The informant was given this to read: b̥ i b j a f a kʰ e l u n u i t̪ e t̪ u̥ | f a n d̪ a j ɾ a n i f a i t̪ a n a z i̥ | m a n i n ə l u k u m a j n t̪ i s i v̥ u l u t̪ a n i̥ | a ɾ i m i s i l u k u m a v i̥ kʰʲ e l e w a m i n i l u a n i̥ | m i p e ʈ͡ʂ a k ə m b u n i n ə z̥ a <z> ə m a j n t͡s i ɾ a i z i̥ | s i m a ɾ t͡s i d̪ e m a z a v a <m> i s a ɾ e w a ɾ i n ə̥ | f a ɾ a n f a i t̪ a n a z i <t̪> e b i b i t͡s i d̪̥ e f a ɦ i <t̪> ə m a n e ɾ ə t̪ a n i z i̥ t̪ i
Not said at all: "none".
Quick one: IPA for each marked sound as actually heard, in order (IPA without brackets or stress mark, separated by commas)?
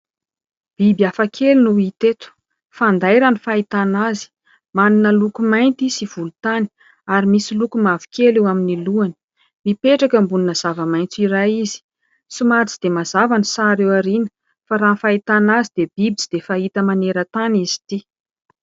v, n, d̪, t̪